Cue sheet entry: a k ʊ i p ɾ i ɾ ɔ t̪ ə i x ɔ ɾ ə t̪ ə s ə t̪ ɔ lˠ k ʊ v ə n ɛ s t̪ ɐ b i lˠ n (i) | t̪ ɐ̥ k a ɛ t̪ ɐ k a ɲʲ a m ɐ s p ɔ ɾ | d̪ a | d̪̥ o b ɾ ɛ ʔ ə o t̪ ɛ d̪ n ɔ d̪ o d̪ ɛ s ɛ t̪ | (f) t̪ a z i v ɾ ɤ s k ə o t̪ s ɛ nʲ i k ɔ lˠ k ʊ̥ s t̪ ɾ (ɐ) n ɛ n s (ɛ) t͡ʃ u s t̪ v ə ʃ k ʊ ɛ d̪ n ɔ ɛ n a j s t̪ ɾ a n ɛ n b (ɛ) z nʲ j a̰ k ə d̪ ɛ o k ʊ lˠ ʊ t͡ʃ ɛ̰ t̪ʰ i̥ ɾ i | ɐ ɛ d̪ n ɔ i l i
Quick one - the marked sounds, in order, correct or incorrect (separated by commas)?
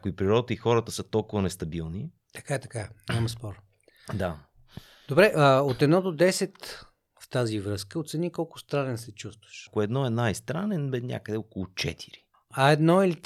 correct, correct, incorrect, correct, correct